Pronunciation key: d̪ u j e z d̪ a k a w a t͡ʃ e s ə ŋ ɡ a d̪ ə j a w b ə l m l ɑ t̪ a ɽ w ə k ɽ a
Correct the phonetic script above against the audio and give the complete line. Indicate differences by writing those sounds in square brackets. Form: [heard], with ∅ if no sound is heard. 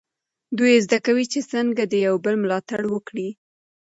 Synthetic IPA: d̪ u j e z d̪ a k a w [i] t͡ʃ e s ə ŋ ɡ a d̪ ə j a w b ə l m l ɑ t̪ a ɽ w ə k ɽ [i]